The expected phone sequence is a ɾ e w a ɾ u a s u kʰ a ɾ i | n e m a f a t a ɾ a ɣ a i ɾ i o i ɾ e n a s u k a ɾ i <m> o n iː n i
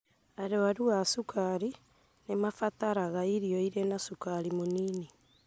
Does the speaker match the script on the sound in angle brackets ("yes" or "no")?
yes